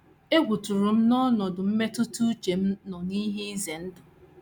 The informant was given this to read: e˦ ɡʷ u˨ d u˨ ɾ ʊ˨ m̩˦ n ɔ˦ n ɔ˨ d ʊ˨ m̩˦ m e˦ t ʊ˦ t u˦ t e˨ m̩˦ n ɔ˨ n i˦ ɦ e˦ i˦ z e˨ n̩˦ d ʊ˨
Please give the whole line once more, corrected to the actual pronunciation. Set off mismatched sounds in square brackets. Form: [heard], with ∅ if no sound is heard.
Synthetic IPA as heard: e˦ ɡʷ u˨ [t] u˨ ɾ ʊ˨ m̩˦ n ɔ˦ n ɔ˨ d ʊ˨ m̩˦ m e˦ t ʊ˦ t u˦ [t͡ʃ] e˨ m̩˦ n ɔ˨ n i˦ ɦ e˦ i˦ z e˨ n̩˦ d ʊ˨